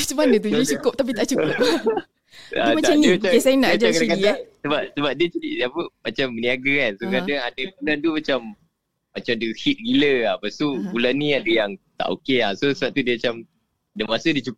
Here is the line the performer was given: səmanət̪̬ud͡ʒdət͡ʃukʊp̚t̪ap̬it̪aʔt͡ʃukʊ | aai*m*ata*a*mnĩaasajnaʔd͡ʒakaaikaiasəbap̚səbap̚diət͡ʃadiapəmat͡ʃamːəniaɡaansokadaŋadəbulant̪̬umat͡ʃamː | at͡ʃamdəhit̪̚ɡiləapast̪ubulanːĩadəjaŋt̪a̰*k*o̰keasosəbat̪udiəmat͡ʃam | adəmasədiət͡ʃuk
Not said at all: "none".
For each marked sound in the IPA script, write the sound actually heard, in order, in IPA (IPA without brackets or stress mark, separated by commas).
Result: m, a, ʔ